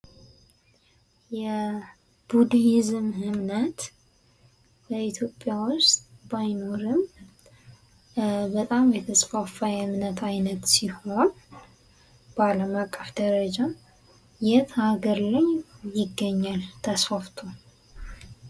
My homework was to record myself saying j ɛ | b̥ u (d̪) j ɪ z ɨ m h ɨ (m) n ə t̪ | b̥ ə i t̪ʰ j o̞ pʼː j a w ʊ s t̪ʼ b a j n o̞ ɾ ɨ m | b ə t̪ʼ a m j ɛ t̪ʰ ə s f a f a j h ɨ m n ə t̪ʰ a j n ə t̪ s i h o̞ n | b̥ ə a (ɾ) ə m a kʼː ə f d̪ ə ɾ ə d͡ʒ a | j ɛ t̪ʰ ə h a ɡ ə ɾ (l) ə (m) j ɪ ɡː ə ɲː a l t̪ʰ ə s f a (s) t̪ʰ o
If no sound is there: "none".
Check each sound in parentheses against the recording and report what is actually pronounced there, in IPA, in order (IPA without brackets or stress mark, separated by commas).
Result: d̪, m, l, l, ɲ, f